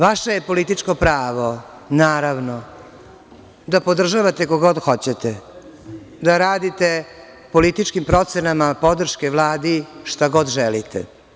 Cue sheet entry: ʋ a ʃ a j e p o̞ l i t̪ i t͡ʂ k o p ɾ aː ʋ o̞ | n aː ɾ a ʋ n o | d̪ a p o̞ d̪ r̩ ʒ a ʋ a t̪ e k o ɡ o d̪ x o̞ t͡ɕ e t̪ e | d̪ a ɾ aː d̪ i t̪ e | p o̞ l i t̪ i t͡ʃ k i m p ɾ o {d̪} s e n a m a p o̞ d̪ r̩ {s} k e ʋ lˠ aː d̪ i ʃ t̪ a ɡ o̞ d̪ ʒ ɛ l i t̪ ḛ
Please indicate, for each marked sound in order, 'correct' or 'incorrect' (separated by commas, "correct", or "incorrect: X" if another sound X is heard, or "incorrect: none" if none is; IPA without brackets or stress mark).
incorrect: t̪, incorrect: ʃ